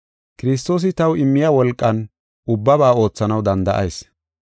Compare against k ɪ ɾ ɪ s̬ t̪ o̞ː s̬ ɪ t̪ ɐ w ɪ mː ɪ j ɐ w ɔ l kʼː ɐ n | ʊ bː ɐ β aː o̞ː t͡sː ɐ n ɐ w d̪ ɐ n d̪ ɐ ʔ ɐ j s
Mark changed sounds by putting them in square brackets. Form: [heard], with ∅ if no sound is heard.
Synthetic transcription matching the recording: k ɪ ɾ ɪ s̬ t̪ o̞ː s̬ ɪ t̪ ɐ w ɪ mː ɪ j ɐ w ɔ l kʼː ɐ n | ʊ bː ɐ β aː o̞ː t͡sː ɐ n ɐ w d̪ ɐ n d̪ ɐ ʔ ɐ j s